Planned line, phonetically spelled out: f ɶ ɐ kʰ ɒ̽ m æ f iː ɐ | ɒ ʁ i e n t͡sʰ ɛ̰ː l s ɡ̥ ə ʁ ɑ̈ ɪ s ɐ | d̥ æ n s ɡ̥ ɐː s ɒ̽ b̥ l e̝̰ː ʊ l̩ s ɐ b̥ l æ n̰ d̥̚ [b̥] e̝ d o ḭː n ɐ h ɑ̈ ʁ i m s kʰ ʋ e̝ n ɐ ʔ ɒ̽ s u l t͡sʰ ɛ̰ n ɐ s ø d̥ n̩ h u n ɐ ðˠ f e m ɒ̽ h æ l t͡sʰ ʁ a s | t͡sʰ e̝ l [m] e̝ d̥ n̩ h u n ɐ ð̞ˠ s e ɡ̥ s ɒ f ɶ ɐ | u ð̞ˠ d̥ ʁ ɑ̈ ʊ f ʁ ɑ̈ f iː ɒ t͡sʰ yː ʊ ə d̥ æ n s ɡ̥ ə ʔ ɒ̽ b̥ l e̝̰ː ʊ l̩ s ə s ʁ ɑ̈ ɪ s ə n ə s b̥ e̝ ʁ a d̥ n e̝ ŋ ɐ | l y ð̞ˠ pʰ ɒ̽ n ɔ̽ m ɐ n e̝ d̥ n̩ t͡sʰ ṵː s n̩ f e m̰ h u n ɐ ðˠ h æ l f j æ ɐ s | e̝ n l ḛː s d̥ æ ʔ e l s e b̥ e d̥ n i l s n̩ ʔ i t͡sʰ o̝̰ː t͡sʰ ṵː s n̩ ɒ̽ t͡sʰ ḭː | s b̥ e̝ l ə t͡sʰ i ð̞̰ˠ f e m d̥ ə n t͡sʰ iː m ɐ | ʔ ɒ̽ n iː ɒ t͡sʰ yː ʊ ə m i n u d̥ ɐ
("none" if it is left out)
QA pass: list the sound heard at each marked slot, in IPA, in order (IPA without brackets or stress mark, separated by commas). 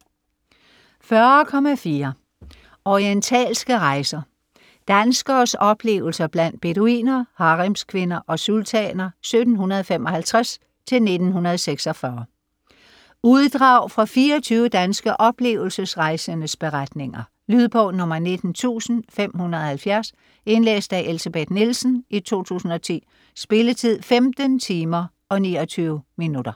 b̥, n